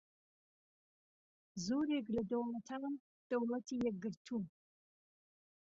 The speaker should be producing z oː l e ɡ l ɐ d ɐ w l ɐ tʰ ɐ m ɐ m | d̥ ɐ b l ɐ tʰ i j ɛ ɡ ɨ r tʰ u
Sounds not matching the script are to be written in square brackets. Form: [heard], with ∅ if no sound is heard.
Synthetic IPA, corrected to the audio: z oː [ɾ] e ɡ l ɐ d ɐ w l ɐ tʰ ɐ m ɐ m | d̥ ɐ [w] l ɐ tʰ i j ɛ ɡ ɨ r tʰ u